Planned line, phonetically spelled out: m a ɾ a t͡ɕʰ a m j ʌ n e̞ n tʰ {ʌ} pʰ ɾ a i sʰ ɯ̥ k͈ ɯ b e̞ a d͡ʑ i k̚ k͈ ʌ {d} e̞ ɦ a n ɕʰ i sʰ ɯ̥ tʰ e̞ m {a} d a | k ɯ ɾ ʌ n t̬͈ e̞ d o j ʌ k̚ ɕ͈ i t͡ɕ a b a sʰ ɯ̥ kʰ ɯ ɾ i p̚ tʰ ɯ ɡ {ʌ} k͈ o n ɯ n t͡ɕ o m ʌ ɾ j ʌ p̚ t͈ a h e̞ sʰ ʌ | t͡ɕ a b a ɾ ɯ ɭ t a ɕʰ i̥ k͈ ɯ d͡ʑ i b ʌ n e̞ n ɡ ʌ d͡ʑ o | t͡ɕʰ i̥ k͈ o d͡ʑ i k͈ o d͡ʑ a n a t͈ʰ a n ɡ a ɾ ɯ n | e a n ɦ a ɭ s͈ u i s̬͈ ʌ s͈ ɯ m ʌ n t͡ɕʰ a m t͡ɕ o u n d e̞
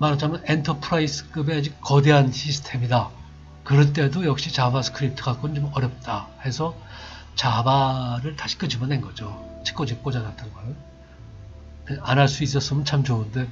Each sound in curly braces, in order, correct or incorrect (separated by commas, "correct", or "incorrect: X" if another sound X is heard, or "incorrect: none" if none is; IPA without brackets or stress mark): correct, correct, incorrect: i, incorrect: a